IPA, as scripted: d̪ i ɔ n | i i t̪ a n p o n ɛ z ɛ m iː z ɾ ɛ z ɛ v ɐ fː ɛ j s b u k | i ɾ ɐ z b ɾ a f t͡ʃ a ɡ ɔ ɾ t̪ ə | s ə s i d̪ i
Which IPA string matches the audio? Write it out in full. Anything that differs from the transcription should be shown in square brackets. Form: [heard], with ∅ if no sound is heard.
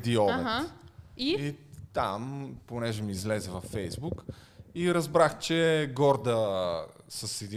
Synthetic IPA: d̪ i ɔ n | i i t̪ a [m] p o n ɛ [ʒ] ɛ m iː z [l] ɛ z ɛ v ɐ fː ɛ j [z] b u k | i ɾ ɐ z b ɾ a [x] t͡ʃ [ɛ] ɡ ɔ ɾ [d̪] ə | s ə s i d̪ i